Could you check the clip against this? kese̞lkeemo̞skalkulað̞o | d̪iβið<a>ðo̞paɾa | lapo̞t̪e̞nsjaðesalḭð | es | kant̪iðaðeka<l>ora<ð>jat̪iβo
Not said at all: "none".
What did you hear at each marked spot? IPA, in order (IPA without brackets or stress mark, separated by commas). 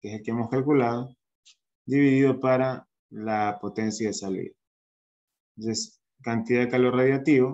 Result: i, l, ð